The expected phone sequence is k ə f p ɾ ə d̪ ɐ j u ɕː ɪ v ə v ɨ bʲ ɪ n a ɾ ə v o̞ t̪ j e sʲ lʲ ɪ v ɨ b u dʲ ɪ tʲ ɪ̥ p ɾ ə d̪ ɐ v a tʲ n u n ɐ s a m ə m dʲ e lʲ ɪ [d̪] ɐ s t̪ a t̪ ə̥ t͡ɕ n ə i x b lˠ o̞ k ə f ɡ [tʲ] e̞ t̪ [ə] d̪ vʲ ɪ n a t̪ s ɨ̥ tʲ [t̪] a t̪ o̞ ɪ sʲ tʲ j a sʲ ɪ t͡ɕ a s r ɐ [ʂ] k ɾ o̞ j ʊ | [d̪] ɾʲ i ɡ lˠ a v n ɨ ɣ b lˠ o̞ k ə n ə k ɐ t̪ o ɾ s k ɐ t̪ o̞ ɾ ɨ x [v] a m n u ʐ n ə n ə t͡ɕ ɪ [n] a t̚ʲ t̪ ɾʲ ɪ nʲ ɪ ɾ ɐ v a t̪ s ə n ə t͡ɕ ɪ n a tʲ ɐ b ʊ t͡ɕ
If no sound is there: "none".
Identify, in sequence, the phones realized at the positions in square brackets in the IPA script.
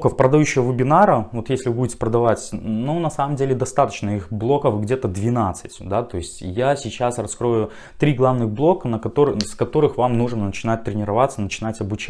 d̪, dʲ, ə, d̪, s, t̪, v, n

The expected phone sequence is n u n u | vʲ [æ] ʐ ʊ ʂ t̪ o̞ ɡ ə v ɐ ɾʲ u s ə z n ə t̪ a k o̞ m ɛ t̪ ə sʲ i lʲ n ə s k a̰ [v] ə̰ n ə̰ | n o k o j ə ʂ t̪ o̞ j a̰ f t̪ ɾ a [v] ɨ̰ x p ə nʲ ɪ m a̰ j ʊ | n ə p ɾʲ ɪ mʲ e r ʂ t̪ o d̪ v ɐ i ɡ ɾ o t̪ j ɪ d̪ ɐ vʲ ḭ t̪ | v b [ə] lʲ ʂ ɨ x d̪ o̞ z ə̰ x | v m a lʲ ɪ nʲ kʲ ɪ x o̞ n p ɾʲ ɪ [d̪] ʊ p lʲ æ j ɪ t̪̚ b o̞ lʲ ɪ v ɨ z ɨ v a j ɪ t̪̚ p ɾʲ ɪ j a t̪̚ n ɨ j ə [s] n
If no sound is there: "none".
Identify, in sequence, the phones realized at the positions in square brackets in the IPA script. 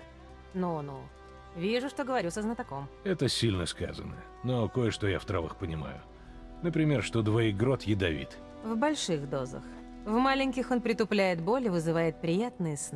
i, z, v, ɐ, t̪, s

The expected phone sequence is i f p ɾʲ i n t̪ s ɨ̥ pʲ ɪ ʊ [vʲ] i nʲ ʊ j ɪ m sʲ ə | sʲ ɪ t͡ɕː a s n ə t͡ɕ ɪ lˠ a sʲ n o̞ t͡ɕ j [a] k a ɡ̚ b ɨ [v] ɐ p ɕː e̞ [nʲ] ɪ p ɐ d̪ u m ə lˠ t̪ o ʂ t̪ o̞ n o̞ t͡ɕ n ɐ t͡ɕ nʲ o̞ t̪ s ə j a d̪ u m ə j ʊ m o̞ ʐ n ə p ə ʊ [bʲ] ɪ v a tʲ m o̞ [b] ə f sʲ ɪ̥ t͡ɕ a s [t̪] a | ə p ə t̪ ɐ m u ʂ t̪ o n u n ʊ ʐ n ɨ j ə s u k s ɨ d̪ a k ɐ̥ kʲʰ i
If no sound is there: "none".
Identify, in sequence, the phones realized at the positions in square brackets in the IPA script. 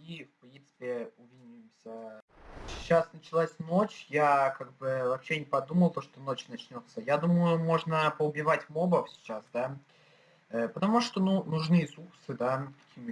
vʲ, a, v, nʲ, bʲ, b, d̪

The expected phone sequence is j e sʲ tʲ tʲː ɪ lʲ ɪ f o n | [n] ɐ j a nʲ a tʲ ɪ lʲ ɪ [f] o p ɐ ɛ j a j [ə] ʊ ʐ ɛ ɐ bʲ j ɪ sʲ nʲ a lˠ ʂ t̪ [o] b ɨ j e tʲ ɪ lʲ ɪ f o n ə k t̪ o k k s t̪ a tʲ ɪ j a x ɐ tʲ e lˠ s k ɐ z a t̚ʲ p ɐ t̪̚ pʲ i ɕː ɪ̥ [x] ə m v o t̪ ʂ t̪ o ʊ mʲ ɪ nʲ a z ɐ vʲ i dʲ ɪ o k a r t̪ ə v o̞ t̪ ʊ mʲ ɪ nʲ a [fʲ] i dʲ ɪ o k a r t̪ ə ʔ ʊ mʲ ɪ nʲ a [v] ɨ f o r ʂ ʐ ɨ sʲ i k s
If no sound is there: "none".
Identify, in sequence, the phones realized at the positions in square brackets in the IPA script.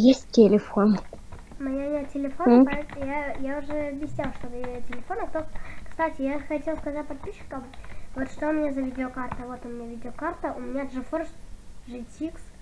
m, f, a, o, k, vʲ, ʐ

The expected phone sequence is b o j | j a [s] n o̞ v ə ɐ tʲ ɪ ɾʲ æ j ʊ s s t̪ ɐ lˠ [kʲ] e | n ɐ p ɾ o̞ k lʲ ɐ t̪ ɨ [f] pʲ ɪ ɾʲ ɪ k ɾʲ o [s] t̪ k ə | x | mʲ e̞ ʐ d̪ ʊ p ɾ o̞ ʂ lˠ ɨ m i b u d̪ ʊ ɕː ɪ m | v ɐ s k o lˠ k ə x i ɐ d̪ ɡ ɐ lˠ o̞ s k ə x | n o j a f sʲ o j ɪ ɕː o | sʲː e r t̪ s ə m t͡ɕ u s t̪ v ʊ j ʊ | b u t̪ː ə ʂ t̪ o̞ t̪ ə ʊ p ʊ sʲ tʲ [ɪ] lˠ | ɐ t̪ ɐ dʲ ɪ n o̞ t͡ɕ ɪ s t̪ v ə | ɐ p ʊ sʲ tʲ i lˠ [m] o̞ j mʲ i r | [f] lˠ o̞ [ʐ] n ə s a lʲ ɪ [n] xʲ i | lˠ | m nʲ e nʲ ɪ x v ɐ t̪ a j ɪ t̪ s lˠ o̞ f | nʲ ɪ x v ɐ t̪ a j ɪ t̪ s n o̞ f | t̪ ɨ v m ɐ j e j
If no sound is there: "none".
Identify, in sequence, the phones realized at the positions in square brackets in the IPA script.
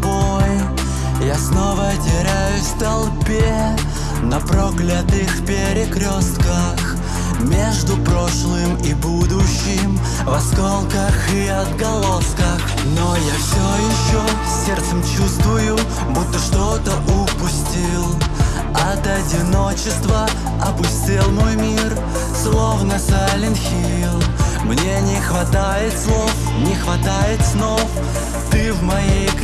s, pʲ, x, s, i, m, s, v, n

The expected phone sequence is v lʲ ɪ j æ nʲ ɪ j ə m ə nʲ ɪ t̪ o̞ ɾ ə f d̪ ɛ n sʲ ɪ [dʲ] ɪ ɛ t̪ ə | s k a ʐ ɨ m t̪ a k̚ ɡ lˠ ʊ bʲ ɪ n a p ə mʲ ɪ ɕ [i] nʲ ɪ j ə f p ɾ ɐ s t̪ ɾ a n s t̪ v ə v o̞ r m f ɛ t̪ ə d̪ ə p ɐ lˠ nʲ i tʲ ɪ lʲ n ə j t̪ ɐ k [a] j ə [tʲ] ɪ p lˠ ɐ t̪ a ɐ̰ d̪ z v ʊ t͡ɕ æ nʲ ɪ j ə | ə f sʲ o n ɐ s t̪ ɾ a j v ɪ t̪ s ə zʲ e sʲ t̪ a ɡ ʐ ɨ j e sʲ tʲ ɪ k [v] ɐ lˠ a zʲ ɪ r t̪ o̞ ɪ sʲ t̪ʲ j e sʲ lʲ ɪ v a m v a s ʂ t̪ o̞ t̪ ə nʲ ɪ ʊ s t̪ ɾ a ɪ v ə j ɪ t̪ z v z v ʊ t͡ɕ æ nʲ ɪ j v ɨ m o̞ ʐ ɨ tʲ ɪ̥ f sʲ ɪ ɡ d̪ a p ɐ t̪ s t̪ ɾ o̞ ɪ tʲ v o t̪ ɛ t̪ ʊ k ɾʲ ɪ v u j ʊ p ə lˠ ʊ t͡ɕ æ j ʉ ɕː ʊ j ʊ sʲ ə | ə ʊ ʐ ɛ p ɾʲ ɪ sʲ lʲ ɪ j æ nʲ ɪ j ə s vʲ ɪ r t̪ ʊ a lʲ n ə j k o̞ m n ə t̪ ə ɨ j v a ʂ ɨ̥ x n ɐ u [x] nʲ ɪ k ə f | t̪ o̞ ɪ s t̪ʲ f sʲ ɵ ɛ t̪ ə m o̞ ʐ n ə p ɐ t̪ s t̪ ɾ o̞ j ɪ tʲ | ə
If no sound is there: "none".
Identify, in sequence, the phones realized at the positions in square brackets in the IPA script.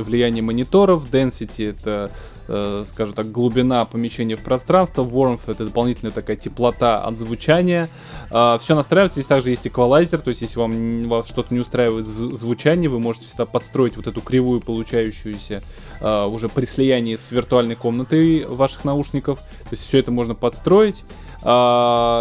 tʲ, e, a, tʲ, v, ʂ

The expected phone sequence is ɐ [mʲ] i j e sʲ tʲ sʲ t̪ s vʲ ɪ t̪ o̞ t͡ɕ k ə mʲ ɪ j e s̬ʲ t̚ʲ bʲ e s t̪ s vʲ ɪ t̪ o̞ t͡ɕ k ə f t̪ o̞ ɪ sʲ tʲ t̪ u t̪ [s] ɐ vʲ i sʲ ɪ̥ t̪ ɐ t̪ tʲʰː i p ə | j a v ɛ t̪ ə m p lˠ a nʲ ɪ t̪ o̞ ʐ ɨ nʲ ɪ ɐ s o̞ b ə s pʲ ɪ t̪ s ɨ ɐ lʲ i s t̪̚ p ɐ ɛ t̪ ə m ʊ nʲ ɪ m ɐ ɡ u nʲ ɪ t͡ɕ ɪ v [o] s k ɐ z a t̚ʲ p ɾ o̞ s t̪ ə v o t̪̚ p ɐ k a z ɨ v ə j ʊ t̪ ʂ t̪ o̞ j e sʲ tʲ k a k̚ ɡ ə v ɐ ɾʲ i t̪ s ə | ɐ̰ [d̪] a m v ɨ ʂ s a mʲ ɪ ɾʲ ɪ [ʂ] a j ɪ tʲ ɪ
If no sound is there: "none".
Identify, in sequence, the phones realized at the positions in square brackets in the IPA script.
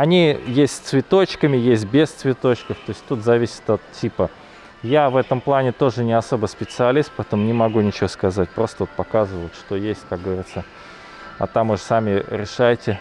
nʲ, z, o, t̪, ʂ

